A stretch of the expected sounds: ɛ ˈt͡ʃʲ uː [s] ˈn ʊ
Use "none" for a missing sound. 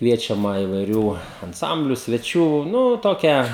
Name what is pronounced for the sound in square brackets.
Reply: none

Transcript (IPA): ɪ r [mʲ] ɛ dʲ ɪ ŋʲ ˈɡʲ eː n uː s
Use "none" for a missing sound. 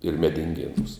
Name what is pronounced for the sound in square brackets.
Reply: mʲ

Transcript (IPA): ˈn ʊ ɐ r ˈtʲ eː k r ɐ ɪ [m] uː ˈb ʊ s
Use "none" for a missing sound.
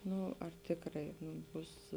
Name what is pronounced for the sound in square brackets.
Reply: n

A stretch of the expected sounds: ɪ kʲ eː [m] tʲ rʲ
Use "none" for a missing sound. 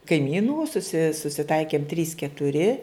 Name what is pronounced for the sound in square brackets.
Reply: m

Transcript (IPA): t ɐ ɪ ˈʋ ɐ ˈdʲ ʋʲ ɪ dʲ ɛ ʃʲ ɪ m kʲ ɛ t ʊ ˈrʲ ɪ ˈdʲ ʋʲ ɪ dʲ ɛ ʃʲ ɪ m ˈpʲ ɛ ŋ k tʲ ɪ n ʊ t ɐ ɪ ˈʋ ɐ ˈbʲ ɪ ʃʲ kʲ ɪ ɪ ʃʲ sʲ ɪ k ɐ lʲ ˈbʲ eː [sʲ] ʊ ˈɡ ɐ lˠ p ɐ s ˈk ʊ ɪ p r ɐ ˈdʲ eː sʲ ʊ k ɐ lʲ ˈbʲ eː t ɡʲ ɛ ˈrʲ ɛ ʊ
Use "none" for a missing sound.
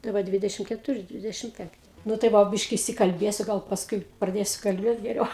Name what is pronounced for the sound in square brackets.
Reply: sʲ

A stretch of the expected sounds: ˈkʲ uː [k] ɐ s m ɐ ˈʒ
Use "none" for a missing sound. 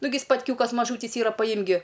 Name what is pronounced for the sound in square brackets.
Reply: k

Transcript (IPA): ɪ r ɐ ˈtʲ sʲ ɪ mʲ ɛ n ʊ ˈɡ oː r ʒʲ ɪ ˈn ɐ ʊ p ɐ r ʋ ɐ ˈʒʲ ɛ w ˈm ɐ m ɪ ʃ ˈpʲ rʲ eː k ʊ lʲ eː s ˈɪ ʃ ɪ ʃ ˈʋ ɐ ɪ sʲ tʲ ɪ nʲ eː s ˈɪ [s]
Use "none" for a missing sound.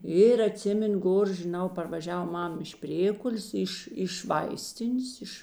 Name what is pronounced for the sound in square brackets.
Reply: ʃ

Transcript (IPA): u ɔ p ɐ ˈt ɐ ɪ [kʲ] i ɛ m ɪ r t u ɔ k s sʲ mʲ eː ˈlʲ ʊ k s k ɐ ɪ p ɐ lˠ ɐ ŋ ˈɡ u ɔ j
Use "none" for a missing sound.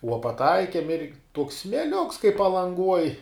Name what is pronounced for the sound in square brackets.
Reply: kʲ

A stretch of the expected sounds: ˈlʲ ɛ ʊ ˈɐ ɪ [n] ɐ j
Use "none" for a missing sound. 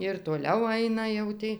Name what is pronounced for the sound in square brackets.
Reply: n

